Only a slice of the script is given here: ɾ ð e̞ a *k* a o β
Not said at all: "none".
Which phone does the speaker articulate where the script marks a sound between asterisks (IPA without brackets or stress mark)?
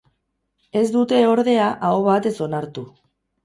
ʔ